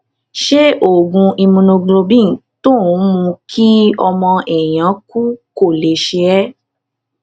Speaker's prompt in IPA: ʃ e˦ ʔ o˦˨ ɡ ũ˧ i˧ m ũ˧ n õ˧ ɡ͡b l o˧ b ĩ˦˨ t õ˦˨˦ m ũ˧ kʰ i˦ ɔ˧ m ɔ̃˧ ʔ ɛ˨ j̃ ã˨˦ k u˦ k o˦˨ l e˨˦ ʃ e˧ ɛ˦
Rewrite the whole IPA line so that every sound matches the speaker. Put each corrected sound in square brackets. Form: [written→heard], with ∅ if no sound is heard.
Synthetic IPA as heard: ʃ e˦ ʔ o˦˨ ɡ ũ˧ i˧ m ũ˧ n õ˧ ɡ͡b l o˧ b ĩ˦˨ t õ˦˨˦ m ũ˧ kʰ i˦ ɔ˧ m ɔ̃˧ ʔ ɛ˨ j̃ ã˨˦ k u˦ k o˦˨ l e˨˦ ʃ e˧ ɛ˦